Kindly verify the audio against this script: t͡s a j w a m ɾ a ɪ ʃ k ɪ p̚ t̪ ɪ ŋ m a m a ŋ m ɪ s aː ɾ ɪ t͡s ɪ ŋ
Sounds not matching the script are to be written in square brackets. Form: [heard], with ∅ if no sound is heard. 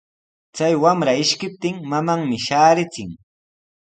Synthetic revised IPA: t͡s a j w a m ɾ a ɪ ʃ k ɪ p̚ t̪ ɪ ŋ m a m a ŋ m ɪ [ʃ] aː ɾ ɪ t͡s ɪ ŋ